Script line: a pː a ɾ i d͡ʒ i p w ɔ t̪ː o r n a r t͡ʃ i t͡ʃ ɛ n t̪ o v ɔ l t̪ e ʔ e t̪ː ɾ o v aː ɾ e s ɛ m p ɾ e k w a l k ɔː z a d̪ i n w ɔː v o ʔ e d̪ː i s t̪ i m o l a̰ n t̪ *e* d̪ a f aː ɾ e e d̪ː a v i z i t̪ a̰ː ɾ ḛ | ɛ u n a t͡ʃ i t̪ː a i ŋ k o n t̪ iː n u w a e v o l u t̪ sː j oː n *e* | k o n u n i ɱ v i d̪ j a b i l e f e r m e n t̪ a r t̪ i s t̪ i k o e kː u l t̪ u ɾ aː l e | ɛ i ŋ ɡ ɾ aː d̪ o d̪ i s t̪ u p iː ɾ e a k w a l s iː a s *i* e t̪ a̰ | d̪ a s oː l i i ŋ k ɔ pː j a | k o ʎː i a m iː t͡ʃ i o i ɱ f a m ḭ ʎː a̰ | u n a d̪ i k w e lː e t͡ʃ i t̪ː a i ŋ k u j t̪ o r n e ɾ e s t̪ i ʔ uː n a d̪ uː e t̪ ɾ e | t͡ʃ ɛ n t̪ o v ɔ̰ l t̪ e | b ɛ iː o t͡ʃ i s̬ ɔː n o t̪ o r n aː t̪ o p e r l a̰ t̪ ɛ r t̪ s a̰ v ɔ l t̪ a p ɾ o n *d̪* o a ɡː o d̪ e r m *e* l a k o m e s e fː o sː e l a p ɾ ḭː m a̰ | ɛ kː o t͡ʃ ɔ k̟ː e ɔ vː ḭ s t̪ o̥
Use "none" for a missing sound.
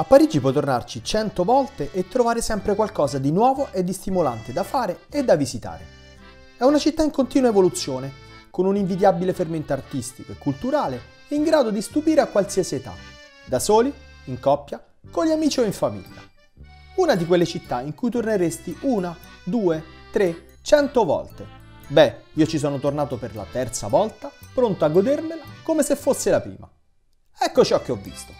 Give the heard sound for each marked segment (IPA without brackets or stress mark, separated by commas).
e, e, i, t̪, e